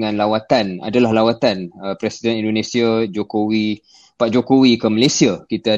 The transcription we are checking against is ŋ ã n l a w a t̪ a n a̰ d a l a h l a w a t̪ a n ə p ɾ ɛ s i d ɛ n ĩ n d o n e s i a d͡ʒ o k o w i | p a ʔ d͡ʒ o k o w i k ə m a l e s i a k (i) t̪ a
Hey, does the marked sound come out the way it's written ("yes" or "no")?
yes